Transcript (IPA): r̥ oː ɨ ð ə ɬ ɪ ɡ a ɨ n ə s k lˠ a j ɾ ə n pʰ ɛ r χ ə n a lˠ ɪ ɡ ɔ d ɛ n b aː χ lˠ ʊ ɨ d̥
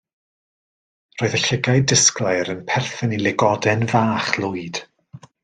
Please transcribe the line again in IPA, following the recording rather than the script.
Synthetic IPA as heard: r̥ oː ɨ ð ə ɬ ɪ ɡ a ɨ d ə s k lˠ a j ɾ ə n pʰ ɛ r θ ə n i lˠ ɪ ɡ ɔ d ɛ n v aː χ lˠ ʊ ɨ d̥